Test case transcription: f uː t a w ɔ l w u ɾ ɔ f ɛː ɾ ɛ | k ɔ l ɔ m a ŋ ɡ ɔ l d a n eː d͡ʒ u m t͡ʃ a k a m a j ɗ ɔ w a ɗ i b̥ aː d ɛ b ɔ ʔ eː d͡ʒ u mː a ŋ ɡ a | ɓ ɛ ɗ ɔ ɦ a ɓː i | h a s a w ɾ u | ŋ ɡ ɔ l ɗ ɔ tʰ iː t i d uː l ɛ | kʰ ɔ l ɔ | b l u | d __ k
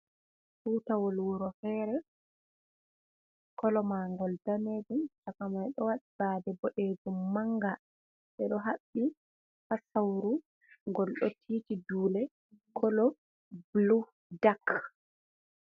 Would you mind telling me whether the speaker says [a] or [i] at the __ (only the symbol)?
a